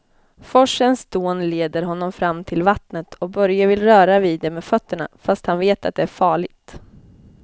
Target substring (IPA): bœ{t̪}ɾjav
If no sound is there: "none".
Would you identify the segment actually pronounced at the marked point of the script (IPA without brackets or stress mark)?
none